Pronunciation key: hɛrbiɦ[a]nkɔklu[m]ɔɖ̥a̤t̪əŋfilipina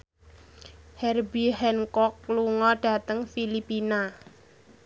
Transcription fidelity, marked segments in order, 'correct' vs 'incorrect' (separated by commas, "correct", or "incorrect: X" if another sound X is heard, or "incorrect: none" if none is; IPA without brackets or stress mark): incorrect: ɛ, incorrect: ŋ